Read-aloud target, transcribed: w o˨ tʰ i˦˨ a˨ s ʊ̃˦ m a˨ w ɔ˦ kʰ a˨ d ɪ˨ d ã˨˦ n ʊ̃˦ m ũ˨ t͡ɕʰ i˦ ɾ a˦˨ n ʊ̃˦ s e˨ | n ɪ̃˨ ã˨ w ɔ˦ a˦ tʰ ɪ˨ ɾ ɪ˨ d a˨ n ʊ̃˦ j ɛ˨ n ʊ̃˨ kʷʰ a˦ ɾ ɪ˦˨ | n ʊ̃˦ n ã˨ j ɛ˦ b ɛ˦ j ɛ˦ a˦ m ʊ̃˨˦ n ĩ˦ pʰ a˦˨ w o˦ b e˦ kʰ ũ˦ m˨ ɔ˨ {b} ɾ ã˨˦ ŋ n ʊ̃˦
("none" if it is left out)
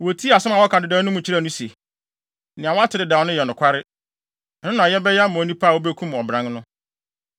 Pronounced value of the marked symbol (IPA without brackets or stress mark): b